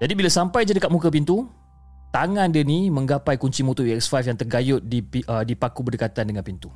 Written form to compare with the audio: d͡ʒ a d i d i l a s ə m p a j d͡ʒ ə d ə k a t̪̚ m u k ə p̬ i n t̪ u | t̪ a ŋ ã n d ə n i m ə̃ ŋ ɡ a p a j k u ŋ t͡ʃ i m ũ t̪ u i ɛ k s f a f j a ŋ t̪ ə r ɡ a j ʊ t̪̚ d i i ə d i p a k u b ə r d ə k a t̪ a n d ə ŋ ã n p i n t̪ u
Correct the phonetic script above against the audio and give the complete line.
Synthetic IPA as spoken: d͡ʒ a d i b i l a s a m p a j d͡ʒ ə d ə k a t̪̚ m u k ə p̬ i n t̪ u | t̪ a ŋ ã n d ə n i m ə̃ ŋ ɡ a p a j k u ɲ t͡ʃ i m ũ t̪ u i ɛ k s f a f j a ŋ t̪ ə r ɡ a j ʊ t̪̚ d i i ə d i p a k u b ə r d ə k a t̪ a n d ə ŋ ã n p i n t̪ u